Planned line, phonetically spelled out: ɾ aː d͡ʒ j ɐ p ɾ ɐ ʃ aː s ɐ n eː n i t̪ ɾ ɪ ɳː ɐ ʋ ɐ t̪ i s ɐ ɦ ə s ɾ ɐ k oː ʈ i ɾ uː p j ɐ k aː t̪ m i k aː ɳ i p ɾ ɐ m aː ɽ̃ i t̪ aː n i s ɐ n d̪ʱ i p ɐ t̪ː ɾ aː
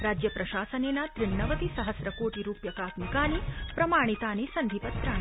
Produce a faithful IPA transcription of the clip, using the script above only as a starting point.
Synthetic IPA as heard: ɾ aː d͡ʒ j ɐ p ɾ ɐ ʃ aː s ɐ n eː n a t̪ ɾ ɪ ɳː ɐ ʋ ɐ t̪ i s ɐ ɦ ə s ɾ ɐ k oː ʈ i ɾ uː p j ɐ k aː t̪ m i k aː n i p ɾ ɐ m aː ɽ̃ i t̪ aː n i s ɐ n d̪ʱ i p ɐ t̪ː ɾ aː